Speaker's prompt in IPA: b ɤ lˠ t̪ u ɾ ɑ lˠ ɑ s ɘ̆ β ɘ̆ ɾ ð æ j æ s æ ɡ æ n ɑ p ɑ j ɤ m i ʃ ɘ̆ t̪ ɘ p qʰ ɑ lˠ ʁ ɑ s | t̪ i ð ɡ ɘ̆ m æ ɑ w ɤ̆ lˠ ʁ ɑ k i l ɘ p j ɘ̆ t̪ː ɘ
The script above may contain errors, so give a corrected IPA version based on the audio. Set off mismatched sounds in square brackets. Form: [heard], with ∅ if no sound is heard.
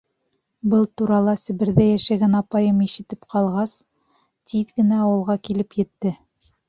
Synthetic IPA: b ɤ lˠ t̪ u ɾ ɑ lˠ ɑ s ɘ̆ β ɘ̆ ɾ ð æ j æ [ʃ] æ ɡ æ n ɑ p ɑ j ɤ m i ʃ ɘ̆ t̪ ɘ p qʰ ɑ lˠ ʁ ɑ s | t̪ i ð ɡ ɘ̆ [n] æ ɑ w ɤ̆ lˠ ʁ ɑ k i l ɘ p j ɘ̆ t̪ː ɘ